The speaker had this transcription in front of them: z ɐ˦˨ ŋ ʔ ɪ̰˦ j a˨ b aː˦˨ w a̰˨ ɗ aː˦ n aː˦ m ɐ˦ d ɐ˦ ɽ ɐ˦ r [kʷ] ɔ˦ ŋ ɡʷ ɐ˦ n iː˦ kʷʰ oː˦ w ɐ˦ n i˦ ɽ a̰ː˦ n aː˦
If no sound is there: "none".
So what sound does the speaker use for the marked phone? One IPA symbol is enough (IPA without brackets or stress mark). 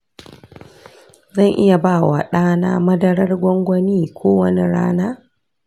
ɡʷ